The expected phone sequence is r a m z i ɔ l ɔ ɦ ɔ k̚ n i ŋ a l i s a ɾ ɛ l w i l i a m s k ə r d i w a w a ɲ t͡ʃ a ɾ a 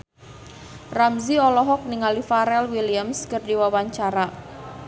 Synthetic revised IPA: r a m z i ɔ l ɔ ɦ ɔ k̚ n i ŋ a l i f a ɾ ɛ l w i l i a m s k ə r d i w a w a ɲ t͡ʃ a ɾ a

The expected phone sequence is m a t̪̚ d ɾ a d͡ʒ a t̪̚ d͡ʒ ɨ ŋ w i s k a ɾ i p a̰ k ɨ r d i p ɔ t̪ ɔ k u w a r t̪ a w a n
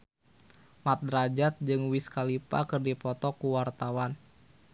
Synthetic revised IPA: m a t̪̚ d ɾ a d͡ʒ a t̪̚ d͡ʒ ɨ ŋ w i s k a l i p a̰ k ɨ r d i p ɔ t̪ ɔ k u w a r t̪ a w a n

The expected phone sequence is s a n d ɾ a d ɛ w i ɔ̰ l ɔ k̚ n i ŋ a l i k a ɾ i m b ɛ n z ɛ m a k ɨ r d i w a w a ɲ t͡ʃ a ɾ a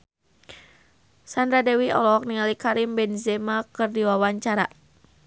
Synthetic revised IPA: s a n d ɾ a d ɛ w i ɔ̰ l ɔ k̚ n i ŋ a l i k a ɾ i m b ɛ n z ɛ m a k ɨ r d i w a w a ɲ t͡ʃ a ɾ a

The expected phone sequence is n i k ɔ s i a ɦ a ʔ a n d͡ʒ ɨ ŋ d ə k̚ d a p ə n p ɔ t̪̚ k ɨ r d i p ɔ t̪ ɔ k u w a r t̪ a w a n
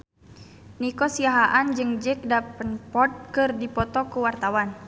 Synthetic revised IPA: n i k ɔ s i a ɦ a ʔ a n d͡ʒ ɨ ŋ d͡ʒ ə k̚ d a p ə n p ɔ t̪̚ k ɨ r d i p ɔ t̪ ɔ k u w a r t̪ a w a n

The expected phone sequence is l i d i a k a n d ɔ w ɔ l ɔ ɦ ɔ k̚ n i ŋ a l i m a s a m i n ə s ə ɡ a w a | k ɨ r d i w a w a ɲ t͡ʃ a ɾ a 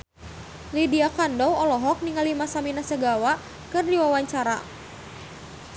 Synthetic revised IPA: l i d i a k a n d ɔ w ɔ l ɔ ɦ ɔ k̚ n i ŋ a l i m a s a m i n a s ə ɡ a w a | k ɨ r d i w a w a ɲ t͡ʃ a ɾ a

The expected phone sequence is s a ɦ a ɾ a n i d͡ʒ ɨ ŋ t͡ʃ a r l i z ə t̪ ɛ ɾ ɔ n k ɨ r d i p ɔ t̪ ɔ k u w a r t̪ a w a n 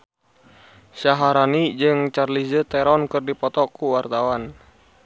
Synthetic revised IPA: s a ɦ a ɾ a n i d͡ʒ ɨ ŋ t͡ʃ a r l i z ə t̪ ɛ ɾ ɔ n k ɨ r d i p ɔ t̪ ɔ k u w a r t̪ a w a n

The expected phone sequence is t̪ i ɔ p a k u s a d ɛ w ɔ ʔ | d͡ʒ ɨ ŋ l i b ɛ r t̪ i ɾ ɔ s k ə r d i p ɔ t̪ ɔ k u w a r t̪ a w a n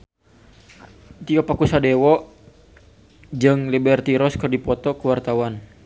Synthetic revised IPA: t̪ i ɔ p a k u s a d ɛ w ɔ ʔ | d͡ʒ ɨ ŋ l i b ɛ r t̪ i ɾ ɔ s k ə r d i p ɔ t̪ ɔ k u w a r t̪ a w a n

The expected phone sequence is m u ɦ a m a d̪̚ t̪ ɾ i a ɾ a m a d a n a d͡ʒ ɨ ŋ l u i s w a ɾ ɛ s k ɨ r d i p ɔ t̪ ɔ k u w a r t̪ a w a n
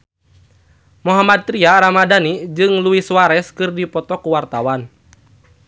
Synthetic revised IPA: m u ɦ a m a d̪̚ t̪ ɾ i a ɾ a m a d a n i d͡ʒ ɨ ŋ l u i s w a ɾ ɛ s k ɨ r d i p ɔ t̪ ɔ k u w a r t̪ a w a n

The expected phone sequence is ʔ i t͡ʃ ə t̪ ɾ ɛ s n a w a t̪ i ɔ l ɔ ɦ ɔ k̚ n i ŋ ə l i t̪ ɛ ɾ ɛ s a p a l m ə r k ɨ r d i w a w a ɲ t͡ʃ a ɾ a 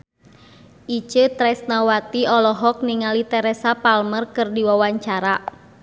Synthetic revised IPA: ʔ i t͡ʃ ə t̪ ɾ ɛ s n a w a t̪ i ɔ l ɔ ɦ ɔ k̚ n i ŋ a l i t̪ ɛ ɾ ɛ s a p a l m ə r k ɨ r d i w a w a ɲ t͡ʃ a ɾ a

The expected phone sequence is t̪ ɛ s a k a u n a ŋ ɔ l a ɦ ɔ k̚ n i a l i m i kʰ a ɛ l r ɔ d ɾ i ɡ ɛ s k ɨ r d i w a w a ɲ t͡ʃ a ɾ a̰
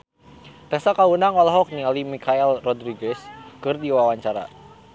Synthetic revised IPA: t̪ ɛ s a k a u n a ŋ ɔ l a ɦ ɔ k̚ n i a l i m i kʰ a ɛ l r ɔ d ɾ i ɡ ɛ s k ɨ r d i w a w a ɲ t͡ʃ a ɾ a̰

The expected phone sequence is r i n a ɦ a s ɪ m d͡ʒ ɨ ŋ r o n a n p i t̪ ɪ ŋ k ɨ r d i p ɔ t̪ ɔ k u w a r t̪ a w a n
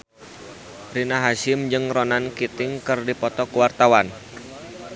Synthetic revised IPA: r i n a ɦ a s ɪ m d͡ʒ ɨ ŋ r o n a n k i t̪ ɪ ŋ k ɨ r d i p ɔ t̪ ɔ k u w a r t̪ a w a n

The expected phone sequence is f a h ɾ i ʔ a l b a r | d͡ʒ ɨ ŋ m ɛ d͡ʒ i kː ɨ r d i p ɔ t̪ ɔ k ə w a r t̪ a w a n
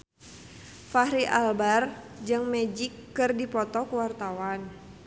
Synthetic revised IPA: f a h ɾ i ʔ a l b a r | d͡ʒ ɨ ŋ m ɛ d͡ʒ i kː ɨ r d i p ɔ t̪ ɔ k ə w a r t̪ a w a n

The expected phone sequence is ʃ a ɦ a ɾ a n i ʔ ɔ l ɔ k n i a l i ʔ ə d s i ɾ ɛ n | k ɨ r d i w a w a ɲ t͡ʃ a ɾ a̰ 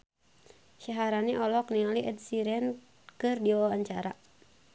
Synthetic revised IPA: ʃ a ɦ a ɾ a n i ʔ ɔ l ɔ k n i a l i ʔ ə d s i ɾ ɛ n | k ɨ r d i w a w a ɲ t͡ʃ a ɾ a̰

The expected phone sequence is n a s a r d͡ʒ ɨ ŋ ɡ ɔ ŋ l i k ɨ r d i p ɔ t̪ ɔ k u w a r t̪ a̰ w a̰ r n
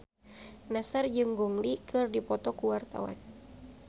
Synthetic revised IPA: n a s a r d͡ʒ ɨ ŋ ɡ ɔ ŋ l i k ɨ r d i p ɔ t̪ ɔ k u w a r t̪ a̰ w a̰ n

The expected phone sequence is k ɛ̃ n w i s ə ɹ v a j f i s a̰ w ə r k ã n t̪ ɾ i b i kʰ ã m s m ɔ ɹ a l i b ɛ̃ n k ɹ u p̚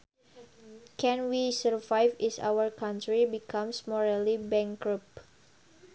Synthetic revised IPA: k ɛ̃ n w i s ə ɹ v a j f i s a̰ w ə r k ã n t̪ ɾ i b i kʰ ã m s m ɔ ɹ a l i b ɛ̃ ŋ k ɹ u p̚

